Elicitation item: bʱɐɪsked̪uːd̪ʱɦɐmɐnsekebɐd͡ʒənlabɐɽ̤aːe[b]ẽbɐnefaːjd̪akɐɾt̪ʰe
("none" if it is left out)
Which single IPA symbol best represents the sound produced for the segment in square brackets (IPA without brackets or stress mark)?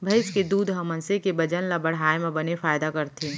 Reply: m